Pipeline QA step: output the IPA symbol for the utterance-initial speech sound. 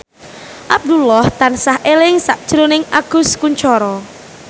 ʔ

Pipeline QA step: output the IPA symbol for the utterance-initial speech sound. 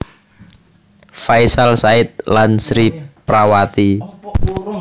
f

